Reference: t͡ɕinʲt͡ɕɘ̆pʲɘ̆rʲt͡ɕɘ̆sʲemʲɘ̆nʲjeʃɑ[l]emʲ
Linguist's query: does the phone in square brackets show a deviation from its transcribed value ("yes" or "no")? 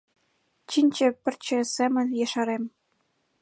yes